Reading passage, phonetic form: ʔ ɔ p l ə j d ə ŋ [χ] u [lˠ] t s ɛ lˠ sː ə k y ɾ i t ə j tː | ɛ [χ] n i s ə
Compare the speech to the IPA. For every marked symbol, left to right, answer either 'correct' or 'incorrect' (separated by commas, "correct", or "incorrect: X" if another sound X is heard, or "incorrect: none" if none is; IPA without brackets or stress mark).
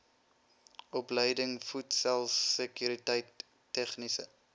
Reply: incorrect: f, incorrect: none, correct